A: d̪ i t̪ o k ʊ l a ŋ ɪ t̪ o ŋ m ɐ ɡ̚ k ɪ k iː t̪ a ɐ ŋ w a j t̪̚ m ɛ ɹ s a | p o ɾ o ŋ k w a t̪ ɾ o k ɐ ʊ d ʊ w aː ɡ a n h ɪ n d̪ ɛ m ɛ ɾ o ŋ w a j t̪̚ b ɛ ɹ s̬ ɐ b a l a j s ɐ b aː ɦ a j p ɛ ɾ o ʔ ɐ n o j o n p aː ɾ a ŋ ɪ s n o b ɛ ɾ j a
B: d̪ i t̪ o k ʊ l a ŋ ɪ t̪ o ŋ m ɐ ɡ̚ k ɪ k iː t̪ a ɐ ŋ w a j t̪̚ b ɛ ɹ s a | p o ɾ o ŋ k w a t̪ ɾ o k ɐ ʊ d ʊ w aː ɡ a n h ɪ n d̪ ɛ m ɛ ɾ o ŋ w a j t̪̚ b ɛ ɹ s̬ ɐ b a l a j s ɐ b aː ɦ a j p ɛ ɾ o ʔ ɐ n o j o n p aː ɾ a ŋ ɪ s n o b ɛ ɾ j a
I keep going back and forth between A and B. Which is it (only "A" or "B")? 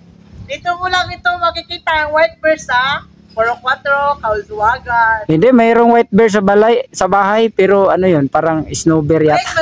B